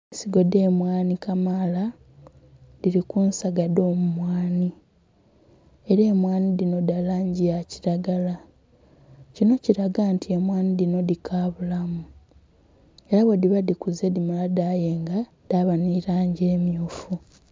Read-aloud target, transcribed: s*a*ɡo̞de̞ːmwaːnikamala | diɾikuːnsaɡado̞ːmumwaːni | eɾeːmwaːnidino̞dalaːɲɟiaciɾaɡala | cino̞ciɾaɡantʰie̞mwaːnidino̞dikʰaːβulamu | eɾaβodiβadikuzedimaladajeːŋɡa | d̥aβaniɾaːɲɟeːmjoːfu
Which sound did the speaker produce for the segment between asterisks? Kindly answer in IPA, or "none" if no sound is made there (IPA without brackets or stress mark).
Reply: i